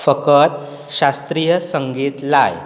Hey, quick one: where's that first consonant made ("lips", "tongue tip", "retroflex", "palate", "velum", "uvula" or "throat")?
lips